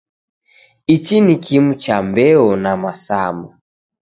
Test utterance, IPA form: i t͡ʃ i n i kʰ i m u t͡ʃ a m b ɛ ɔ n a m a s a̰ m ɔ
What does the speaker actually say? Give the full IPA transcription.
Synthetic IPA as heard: i t͡ʃ i n i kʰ i m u t͡ʃ a m b ɛ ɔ n a m a s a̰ m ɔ